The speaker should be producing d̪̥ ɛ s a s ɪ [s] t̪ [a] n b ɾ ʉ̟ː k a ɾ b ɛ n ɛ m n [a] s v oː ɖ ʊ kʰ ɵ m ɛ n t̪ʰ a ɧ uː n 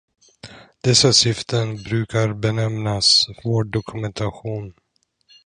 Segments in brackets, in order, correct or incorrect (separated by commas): incorrect, incorrect, correct